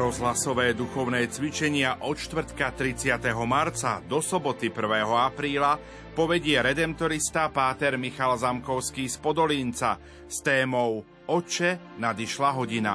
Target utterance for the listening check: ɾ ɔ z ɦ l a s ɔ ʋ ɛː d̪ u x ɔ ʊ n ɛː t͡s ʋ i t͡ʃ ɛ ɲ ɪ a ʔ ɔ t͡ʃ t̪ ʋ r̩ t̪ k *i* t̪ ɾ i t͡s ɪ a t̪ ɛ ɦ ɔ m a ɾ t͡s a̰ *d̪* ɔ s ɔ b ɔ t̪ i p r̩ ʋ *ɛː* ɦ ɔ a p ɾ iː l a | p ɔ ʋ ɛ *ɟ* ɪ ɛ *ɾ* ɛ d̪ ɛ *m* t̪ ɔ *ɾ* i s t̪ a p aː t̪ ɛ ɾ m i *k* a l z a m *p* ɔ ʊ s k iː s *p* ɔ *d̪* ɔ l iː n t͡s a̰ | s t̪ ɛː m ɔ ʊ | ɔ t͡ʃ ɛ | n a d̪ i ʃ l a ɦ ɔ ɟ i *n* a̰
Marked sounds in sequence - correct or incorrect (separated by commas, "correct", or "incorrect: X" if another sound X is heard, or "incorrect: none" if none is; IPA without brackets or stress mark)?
incorrect: a, correct, correct, correct, correct, correct, correct, incorrect: x, incorrect: k, correct, correct, correct